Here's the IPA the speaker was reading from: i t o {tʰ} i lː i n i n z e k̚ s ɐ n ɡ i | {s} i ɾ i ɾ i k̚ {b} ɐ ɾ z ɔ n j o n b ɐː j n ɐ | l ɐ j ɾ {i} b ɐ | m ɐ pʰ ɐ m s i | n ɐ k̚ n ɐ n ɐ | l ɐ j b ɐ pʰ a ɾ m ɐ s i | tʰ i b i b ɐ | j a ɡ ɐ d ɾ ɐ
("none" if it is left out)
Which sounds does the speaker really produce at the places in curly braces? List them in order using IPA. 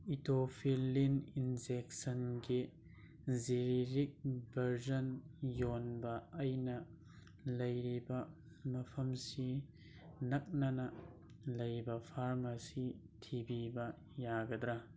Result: pʰ, z, b, i

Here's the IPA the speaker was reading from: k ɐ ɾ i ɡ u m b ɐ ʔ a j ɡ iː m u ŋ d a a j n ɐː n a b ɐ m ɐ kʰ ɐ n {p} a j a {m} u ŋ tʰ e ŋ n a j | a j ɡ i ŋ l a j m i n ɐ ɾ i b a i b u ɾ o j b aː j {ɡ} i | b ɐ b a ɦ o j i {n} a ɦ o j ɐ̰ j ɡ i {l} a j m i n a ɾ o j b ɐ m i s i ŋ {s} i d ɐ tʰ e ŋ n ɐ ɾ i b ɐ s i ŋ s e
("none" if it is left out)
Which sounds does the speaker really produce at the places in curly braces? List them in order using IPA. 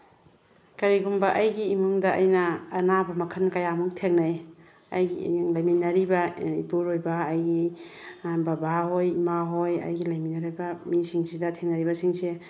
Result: k, m, ɡ, m, l, s

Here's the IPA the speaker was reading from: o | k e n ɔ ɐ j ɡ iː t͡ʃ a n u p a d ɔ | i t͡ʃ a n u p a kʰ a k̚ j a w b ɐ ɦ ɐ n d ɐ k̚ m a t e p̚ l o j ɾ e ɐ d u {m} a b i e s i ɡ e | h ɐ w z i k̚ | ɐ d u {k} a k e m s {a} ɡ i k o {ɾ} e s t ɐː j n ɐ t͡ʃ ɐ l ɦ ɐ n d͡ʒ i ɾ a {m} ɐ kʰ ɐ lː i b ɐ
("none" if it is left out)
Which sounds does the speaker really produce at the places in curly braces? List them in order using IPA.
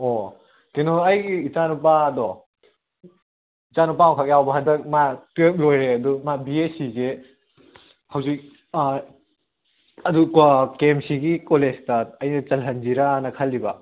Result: m, k, i, l, n

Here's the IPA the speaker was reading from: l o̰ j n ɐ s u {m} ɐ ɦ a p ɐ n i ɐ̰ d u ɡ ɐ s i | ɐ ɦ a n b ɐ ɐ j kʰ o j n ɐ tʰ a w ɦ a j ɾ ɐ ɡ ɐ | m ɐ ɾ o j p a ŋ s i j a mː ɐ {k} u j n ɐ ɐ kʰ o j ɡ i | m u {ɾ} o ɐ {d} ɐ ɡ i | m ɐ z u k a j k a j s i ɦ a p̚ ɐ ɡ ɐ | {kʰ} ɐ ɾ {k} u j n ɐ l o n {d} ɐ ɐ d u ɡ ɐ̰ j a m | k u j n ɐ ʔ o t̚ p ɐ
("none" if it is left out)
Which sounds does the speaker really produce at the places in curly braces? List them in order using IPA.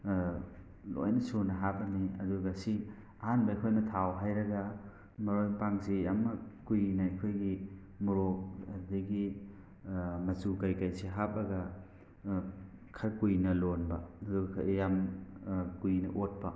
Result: n, k, ɾ, d, kʰ, k, b

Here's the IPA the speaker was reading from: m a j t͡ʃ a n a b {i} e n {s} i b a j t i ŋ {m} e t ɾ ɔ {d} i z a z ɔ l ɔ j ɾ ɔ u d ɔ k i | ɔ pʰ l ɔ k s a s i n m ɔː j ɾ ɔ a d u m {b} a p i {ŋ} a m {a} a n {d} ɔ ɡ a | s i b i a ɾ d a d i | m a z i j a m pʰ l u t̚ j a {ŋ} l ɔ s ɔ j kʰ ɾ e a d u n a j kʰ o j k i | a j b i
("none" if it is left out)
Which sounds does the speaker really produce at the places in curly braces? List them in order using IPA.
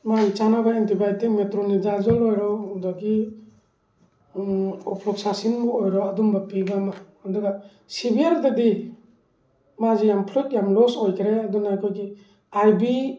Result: a, t, m, n, b, ɡ, a, d, m

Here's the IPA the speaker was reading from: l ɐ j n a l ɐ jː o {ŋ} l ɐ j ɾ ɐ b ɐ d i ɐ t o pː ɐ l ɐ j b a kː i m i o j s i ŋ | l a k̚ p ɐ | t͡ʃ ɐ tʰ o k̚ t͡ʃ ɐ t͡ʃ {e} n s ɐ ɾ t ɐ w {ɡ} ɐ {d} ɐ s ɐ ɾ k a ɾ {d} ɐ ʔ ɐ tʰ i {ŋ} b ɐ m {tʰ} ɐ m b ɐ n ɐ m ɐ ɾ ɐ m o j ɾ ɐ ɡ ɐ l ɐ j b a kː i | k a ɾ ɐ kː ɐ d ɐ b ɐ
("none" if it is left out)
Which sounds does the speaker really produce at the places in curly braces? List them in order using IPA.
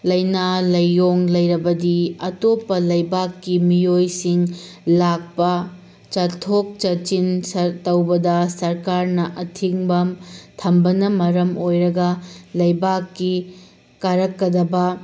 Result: ŋ, i, b, d, n, ŋ, tʰ

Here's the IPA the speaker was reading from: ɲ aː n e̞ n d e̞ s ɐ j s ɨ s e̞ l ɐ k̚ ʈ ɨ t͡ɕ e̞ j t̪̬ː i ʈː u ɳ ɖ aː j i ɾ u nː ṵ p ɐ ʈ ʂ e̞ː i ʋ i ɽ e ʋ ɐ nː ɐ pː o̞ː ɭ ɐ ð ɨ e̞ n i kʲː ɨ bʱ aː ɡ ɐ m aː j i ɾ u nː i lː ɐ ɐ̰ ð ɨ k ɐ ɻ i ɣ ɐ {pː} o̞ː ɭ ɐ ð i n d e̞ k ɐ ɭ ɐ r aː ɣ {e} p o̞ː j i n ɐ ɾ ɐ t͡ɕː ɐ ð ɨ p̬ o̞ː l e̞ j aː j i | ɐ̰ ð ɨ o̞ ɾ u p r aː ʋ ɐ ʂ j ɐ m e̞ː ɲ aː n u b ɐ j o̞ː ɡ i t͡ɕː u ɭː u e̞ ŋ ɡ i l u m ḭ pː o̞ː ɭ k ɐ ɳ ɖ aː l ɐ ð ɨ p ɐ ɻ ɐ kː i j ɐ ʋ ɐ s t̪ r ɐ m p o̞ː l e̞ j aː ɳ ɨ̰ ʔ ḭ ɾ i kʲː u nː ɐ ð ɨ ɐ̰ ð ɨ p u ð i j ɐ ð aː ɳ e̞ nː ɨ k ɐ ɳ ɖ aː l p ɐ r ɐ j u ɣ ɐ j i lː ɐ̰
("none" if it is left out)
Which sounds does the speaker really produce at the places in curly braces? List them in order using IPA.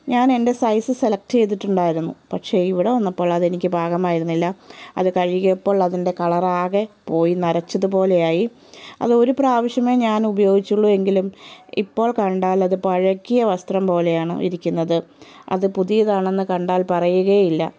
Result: pː, e

